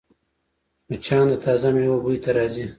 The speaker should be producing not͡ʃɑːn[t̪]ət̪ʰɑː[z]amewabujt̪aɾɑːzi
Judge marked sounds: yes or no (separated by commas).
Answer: no, yes